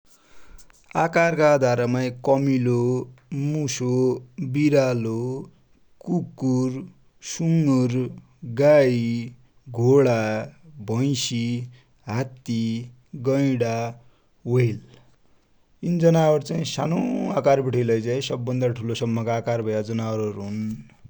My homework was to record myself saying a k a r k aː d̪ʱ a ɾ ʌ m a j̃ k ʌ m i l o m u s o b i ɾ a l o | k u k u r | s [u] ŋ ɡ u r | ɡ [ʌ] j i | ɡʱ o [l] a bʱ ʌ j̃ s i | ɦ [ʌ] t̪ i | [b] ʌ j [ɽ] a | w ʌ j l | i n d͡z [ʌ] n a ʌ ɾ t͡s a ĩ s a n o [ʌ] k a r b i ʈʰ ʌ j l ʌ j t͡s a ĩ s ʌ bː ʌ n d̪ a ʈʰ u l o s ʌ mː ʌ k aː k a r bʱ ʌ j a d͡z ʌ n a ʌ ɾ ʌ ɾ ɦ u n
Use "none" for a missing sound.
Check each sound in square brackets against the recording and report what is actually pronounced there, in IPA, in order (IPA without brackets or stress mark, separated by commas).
u, a, ɽ, a, ɡ, ɽ, ʌ, a